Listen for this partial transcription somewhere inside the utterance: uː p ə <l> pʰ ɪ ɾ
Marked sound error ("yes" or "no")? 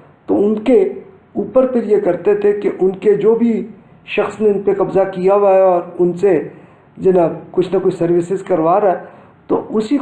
yes